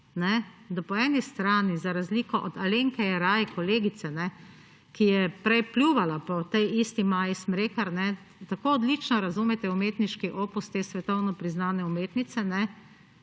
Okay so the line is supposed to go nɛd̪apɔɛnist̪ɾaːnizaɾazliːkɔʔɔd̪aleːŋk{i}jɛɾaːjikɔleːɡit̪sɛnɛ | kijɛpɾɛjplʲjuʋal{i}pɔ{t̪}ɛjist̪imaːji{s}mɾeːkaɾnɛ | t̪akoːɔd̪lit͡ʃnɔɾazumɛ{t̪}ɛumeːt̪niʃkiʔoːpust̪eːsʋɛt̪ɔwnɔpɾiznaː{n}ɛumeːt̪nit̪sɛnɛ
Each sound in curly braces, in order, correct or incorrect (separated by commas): incorrect, incorrect, correct, correct, correct, correct